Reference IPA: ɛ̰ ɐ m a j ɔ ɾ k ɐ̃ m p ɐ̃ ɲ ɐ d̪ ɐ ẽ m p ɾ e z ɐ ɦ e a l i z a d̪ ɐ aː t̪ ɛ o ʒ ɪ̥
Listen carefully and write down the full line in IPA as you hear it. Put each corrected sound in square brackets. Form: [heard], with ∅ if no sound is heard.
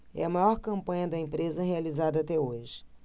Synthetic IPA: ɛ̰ ɐ m a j ɔ ɾ k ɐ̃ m p ɐ̃ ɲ ɐ d̪ ɐ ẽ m p ɾ e z ɐ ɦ e a l i z a d̪ ɐ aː t̪ ɛ o ʒ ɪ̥